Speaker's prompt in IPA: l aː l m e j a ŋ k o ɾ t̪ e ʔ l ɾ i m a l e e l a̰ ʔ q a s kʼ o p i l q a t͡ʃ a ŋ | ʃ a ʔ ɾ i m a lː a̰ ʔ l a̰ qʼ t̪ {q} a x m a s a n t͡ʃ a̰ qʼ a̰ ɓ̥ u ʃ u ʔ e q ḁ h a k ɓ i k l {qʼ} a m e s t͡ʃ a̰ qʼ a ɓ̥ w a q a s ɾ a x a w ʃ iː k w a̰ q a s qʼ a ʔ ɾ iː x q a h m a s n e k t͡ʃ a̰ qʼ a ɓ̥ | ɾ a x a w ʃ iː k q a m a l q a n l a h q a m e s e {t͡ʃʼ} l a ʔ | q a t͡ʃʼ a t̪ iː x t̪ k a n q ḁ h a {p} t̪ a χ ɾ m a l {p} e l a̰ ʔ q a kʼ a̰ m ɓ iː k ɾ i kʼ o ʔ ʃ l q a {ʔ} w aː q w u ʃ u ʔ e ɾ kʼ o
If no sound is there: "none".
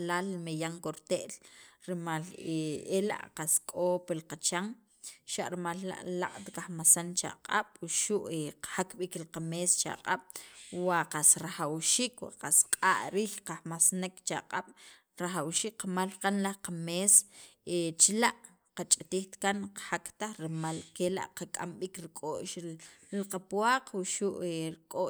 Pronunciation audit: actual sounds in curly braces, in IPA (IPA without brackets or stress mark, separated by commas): k, q, t͡ʃ, k, k, p